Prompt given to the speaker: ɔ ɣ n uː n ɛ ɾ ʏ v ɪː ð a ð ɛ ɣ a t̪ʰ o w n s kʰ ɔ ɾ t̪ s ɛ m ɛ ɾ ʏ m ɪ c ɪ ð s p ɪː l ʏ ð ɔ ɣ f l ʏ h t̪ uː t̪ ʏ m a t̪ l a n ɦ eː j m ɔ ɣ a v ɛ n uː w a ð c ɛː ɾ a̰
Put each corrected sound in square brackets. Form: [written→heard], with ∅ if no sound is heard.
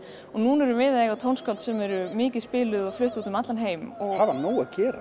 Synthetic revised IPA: ɔ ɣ n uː n ɛ ɾ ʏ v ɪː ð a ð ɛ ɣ a t̪ʰ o w n s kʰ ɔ [ɾ→l] t̪ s ɛ m ɛ ɾ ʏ m [ɪ→ɪː] c ɪ ð s p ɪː l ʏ ð ɔ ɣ f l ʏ h t̪ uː t̪ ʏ m a t̪ l a n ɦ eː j m ɔ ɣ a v [ɛ→a] n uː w a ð c ɛː ɾ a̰